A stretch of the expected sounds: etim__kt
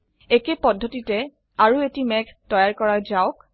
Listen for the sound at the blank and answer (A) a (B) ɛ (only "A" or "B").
B